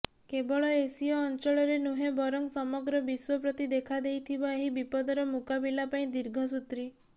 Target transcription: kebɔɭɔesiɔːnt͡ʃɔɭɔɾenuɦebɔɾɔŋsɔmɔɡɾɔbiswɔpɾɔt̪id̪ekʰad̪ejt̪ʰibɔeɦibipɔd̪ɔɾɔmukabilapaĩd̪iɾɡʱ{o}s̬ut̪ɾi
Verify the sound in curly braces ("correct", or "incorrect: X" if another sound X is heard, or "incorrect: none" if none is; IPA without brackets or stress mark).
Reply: incorrect: ɔ